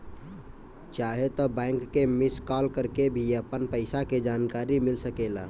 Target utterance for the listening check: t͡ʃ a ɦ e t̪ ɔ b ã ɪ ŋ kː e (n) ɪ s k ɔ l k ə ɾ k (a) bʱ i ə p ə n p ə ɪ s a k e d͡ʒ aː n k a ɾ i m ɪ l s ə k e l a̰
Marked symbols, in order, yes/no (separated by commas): no, no